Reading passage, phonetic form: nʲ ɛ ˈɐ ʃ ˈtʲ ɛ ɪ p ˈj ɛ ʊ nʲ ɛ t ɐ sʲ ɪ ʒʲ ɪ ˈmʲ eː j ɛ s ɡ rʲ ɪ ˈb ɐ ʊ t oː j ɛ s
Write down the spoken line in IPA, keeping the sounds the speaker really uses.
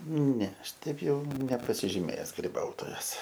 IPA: nʲ ɛ ˈɐ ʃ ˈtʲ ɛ ɪ p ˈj ɛ ʊ nʲ ɛ p ɐ sʲ ɪ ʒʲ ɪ ˈmʲ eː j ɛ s ɡ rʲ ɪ ˈb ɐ ʊ t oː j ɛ s